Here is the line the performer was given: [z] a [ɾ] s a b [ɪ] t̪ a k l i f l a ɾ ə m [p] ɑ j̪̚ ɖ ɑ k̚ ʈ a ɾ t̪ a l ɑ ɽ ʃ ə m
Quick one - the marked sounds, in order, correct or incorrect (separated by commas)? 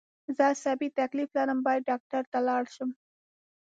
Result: correct, incorrect, incorrect, incorrect